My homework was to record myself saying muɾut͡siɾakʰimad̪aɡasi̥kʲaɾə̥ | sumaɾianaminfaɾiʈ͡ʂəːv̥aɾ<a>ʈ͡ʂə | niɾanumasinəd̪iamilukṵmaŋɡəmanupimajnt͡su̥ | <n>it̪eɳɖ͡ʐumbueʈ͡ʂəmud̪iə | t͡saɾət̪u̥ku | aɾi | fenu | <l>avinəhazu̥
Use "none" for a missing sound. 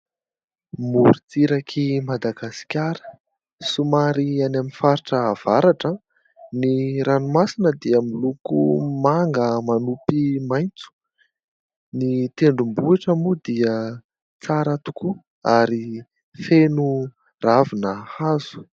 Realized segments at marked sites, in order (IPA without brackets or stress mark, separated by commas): a, n, r